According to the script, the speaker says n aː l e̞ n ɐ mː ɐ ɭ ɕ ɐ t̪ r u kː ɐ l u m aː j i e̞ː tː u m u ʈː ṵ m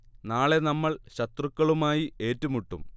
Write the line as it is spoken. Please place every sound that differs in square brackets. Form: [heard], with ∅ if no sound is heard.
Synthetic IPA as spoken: n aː [ɭ] e̞ n ɐ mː ɐ ɭ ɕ ɐ t̪ r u kː ɐ [ɭ] u m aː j i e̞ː tː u m u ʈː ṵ m